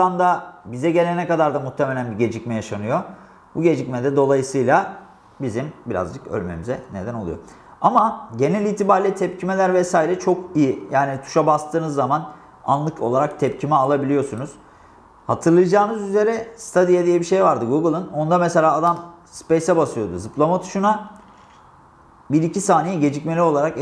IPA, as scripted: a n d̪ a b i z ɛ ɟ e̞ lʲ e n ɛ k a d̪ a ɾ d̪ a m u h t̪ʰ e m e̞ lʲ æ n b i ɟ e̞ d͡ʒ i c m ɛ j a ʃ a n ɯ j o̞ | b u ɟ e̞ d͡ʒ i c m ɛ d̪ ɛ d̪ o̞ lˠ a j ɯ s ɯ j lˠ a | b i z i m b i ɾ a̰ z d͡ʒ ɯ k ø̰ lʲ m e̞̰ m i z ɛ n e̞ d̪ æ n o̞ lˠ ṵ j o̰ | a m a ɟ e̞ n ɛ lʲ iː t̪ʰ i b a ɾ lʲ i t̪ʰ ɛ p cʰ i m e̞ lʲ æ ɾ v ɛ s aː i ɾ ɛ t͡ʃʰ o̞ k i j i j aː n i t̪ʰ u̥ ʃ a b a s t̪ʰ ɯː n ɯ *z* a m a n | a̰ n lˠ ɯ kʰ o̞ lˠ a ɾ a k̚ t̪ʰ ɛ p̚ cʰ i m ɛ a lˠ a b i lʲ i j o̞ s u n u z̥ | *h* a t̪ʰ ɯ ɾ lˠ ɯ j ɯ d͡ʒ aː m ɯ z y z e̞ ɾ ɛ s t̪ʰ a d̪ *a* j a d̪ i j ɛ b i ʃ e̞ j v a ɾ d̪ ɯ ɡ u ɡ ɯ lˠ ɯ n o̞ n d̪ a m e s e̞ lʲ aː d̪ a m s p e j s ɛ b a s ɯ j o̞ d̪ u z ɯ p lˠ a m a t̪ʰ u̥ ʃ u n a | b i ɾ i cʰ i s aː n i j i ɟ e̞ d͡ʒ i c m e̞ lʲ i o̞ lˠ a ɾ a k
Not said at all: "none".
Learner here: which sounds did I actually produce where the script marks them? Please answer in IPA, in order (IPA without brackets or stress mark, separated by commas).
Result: zː, h, i